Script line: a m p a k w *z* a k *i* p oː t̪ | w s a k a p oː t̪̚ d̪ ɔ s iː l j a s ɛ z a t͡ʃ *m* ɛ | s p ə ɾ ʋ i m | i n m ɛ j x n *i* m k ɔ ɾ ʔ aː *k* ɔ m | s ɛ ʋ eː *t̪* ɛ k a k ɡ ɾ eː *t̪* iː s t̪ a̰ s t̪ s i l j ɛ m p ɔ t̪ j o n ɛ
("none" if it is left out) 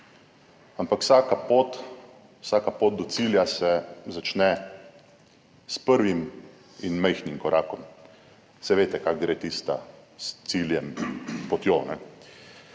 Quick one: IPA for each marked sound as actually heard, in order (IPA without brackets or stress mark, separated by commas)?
s, a, n, i, k, t̪, t̪